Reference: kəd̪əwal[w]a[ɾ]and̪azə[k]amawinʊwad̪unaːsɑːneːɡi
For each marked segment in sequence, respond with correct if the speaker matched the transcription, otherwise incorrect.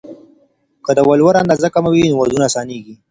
correct, correct, correct

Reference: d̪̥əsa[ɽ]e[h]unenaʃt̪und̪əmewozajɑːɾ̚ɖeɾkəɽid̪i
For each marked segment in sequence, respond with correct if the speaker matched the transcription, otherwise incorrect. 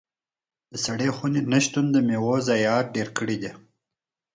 correct, incorrect

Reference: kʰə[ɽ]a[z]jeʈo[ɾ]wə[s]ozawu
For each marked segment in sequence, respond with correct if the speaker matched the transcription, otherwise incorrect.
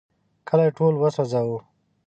incorrect, incorrect, incorrect, correct

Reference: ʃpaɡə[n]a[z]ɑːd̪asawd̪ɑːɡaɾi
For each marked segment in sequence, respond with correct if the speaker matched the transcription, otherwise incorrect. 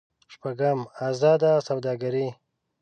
incorrect, correct

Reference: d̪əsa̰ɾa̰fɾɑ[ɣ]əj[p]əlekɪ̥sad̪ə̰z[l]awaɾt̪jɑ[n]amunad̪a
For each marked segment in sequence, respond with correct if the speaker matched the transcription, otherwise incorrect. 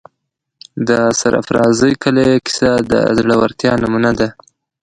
incorrect, incorrect, incorrect, correct

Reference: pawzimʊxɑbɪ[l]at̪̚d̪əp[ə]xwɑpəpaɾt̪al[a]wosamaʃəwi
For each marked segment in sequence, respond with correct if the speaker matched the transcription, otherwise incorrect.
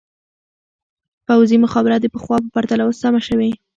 incorrect, correct, correct

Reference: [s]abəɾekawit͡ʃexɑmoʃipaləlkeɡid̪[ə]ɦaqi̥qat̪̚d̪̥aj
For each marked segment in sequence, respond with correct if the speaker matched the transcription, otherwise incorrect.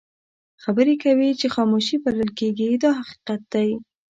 incorrect, incorrect

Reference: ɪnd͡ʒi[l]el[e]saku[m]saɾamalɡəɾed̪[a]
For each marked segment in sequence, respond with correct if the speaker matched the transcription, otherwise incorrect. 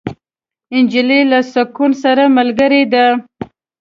correct, incorrect, incorrect, correct

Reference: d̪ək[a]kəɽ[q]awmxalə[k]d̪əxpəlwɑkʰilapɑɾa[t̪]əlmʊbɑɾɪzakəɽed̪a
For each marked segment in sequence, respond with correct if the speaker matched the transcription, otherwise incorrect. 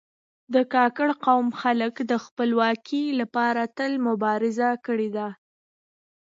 incorrect, correct, correct, correct

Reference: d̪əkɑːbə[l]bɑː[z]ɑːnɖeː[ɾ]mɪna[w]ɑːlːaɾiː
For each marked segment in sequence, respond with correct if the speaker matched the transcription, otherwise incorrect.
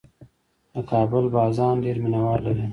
correct, correct, correct, correct

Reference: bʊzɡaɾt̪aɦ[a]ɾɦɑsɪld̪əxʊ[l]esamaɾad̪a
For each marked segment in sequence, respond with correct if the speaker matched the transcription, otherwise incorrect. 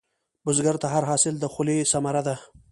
correct, correct

